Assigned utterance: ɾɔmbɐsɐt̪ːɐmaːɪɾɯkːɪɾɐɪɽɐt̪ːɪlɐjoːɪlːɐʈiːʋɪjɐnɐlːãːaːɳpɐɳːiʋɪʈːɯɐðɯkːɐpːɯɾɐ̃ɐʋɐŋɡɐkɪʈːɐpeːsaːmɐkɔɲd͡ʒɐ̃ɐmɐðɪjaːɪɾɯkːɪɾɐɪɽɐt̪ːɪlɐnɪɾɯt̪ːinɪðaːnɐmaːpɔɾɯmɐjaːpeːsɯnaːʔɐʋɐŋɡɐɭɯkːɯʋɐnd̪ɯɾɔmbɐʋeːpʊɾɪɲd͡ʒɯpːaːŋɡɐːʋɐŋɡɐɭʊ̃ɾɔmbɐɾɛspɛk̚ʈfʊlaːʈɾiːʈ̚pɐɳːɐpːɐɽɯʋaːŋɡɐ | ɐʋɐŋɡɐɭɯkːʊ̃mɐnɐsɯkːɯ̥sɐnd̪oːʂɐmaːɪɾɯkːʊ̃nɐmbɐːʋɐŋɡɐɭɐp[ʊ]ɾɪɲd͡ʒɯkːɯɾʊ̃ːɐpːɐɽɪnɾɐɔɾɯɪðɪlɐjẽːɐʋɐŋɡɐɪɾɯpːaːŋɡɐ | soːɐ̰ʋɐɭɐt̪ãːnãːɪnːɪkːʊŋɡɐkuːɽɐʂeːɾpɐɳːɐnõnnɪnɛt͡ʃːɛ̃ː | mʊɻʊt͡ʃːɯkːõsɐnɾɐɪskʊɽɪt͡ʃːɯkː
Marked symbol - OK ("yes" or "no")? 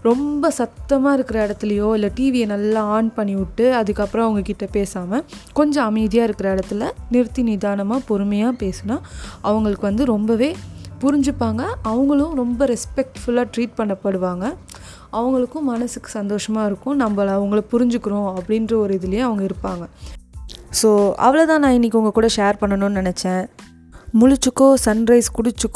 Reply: yes